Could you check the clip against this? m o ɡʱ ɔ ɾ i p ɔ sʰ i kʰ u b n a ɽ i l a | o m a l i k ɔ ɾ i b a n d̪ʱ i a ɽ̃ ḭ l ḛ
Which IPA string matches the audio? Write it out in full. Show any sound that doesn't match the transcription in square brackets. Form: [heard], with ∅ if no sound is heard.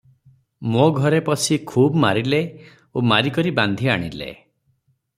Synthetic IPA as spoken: m o ɡʱ ɔ ɾ [e] p ɔ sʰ i kʰ u b [m] a [ɾ] i l [e] | o m a [ɾ] i k ɔ ɾ i b a n d̪ʱ i a ɽ̃ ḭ l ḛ

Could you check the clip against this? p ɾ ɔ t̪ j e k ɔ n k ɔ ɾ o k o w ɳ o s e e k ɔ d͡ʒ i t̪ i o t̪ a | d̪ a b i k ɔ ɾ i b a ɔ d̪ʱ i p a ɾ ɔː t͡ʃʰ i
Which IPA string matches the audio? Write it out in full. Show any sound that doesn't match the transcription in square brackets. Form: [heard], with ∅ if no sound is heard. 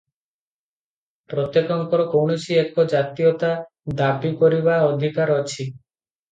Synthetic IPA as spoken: p ɾ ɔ t̪ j e k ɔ [ŋ] k ɔ ɾ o k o w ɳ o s [i] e k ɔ d͡ʒ [a] t̪ i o t̪ a | d̪ a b i k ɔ ɾ i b a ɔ d̪ʱ i [k] a ɾ [ɔ] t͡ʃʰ i

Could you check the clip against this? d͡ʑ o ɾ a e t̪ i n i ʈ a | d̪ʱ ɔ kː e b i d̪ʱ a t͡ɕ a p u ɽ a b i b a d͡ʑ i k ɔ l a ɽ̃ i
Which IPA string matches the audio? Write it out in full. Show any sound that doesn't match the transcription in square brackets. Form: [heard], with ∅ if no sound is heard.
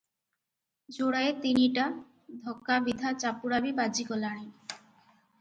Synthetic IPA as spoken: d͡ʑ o [ɽ] a e t̪ i n i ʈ a | d̪ʱ ɔ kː [a] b i d̪ʱ a t͡ɕ a p u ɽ a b i b a d͡ʑ i k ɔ l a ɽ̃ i

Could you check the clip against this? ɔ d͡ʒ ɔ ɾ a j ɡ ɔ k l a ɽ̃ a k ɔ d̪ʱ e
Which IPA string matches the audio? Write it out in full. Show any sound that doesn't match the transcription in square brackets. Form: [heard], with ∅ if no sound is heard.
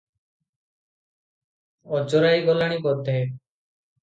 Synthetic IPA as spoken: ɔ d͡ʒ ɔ ɾ a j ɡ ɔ [∅] l a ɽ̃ [i] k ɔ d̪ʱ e

